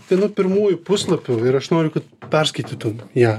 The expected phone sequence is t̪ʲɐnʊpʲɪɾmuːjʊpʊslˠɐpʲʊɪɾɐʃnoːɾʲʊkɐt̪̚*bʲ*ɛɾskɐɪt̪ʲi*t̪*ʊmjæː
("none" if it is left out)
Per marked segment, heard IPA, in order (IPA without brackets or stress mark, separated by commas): pʲ, t̪